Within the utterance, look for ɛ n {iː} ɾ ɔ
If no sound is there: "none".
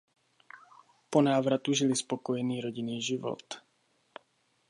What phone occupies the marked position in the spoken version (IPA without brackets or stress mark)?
iː